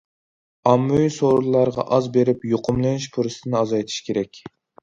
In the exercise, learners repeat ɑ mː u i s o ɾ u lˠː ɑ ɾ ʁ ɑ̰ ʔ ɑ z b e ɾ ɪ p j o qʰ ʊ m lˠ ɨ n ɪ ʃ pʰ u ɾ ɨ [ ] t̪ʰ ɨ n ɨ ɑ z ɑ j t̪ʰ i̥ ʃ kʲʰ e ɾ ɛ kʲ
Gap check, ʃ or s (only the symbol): s